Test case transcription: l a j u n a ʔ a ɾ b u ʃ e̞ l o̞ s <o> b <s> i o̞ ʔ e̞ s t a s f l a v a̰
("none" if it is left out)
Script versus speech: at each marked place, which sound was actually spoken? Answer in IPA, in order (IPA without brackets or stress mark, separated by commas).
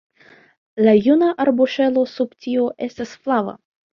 u, t